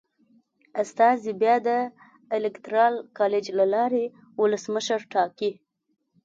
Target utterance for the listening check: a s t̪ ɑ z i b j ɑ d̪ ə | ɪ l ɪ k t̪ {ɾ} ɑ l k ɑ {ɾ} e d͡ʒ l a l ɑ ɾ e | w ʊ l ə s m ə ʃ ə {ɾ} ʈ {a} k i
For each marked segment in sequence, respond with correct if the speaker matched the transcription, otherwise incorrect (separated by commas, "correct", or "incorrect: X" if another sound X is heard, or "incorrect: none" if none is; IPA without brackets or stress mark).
correct, incorrect: l, correct, incorrect: ɑ